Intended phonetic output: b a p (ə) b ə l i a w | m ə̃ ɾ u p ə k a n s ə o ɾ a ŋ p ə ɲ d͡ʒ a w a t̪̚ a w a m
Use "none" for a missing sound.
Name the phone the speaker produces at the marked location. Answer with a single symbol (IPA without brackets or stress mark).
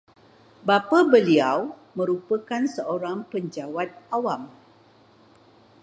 a